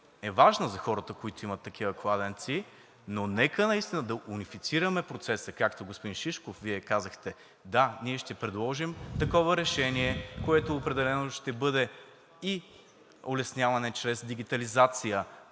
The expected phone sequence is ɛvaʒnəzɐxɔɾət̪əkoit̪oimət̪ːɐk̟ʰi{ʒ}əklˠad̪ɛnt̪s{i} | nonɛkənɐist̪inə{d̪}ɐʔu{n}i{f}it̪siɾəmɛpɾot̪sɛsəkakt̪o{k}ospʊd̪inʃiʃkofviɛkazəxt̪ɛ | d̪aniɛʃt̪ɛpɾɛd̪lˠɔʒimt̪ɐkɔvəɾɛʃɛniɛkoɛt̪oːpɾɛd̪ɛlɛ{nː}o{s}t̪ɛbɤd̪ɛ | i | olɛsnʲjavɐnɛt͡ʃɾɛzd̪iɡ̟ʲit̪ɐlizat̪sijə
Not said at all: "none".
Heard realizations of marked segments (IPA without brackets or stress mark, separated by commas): v, i, d̪, n, f, ɡ, n, ʃ